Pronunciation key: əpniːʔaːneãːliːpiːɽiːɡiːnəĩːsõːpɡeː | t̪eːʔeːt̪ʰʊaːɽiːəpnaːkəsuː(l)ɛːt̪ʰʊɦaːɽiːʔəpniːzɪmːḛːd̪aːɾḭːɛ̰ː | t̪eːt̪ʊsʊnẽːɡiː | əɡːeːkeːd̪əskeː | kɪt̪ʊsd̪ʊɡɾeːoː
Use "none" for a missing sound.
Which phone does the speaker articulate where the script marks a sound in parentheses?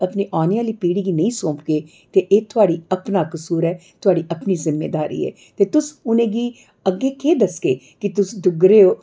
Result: ɾ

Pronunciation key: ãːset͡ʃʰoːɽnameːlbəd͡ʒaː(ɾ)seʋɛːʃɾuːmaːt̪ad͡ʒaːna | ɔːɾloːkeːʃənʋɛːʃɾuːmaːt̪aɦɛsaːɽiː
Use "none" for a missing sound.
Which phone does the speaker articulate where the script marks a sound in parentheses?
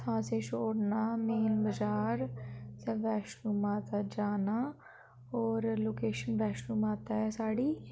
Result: ɾ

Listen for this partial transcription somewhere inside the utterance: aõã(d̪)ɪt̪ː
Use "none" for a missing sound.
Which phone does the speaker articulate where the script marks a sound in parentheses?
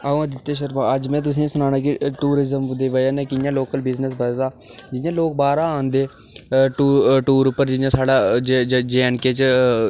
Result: d̪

